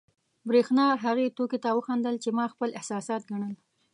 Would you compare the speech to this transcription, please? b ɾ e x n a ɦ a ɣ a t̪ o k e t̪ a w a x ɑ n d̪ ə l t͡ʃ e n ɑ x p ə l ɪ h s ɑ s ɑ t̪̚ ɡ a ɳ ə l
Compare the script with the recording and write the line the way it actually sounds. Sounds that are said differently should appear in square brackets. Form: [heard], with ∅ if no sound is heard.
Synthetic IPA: b ɾ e x n [ɑ] ɦ a ɣ [e] t̪ o k e t̪ a w [ə] x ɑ n d̪ ə l t͡ʃ e [m] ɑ x p ə l ɪ h s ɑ s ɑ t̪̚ ɡ a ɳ ə l